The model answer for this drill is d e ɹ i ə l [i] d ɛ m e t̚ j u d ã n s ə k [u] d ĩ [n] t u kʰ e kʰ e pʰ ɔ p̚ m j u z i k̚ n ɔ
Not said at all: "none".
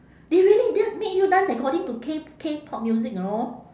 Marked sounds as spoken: i, ɔ, ŋ

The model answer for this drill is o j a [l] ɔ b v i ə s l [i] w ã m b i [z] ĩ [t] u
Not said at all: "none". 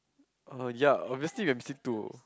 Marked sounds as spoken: none, i, s, t

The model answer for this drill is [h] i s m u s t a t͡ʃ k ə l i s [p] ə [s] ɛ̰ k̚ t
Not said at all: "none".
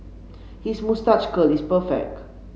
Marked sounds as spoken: h, p, f

